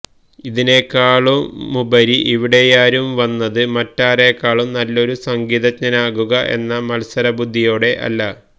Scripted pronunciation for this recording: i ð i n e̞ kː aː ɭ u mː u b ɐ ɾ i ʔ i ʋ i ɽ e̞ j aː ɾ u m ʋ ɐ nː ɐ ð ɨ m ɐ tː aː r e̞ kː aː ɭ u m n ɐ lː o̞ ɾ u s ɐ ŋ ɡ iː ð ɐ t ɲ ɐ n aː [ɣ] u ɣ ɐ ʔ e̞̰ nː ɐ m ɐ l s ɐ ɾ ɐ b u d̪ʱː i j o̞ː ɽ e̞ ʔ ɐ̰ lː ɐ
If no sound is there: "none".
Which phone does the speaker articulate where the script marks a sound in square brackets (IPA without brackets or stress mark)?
ɣ